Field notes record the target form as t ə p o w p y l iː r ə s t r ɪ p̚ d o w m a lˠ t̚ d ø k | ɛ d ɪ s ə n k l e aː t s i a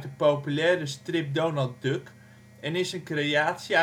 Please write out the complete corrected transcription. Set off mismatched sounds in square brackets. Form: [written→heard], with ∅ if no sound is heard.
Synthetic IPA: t ə p o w p y l [iː→ɛː] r ə s t r ɪ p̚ d o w [m→n] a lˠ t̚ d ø k | ɛ [d→n] ɪ s ə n k [l→r] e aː t s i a

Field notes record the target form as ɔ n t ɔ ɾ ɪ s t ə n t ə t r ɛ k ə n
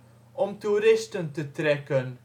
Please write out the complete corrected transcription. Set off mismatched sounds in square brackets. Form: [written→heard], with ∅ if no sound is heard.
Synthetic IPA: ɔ [n→m] t [ɔ→u] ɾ ɪ s t ə n t ə t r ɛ k ə n

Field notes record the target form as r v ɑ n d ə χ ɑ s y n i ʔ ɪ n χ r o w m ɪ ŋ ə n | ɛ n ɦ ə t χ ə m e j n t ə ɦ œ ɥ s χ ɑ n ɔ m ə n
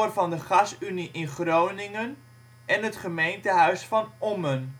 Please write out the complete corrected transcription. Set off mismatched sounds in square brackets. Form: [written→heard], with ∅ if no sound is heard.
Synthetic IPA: r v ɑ n d ə χ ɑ s y n i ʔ ɪ n χ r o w [m→n] ɪ ŋ ə n | ɛ n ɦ ə t χ ə m e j n t ə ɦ œ ɥ s [χ→f] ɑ n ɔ m ə n

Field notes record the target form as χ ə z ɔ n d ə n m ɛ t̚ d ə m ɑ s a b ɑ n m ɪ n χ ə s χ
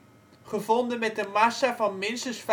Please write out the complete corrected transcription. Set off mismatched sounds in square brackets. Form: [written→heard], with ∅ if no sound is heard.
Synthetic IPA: χ ə [z→v] ɔ n d ə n m ɛ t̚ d ə m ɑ s a [b→v] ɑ n m ɪ n [χ→s] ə s [χ→f]

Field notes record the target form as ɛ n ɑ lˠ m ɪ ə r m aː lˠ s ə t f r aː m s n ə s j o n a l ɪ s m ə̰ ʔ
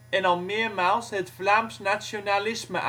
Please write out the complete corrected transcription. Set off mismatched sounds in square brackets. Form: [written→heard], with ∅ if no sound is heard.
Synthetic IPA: ɛ n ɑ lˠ m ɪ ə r m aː lˠ s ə t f [r→l] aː m s n [ə→a] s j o n a l ɪ s m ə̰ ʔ

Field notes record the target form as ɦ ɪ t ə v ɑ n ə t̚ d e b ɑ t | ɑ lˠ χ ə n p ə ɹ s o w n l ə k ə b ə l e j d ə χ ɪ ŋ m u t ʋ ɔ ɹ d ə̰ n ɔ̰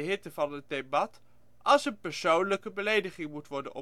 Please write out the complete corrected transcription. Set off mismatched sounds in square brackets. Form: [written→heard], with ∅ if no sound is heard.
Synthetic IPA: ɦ ɪ t ə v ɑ n ə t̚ d e b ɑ t | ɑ lˠ [χ→s] ə n p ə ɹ s o w n l ə k ə b ə l e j d ə χ ɪ ŋ m u t ʋ ɔ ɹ d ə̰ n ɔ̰

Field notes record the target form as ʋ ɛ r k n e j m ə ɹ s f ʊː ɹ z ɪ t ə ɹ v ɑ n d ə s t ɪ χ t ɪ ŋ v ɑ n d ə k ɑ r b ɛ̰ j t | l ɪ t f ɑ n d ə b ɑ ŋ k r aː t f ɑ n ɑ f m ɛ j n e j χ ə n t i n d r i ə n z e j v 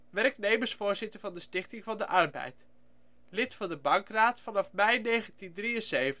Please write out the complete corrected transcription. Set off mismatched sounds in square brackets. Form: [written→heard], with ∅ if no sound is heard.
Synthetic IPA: ʋ ɛ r k n e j m ə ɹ s f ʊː ɹ z ɪ t ə ɹ v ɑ n d ə s t ɪ χ t ɪ ŋ v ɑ n d ə [k→ʔ] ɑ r b ɛ̰ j t | l ɪ t f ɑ n d ə b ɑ ŋ k r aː t f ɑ n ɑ f m ɛ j n e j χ ə n t i n d r i ə n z e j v

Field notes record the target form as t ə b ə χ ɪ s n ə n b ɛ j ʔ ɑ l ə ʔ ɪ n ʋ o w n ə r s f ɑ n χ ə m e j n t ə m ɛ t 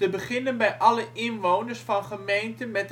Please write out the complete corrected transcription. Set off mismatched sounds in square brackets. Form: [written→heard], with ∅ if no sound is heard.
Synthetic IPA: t ə b ə χ ɪ [s→∅] n ə n b ɛ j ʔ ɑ l ə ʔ ɪ n ʋ o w n ə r s f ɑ n χ ə m e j n t ə m ɛ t

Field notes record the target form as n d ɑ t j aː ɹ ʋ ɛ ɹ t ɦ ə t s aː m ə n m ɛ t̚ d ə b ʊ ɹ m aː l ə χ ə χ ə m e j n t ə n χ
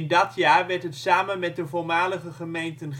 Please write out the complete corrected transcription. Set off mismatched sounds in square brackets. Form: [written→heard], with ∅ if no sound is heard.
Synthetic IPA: n d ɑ t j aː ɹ ʋ ɛ ɹ t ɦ ə t s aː m ə n m ɛ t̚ d ə [b→v] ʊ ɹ m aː l ə χ ə χ ə m e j n t ə n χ

